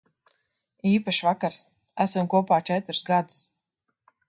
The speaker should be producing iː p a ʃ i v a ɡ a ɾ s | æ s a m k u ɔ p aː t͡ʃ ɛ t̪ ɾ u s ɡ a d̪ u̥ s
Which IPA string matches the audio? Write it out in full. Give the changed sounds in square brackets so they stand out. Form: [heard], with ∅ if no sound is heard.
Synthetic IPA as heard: iː p a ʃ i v a [k] a ɾ s | æ s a m k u ɔ p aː t͡ʃ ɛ t̪ ɾ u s ɡ a d̪ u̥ s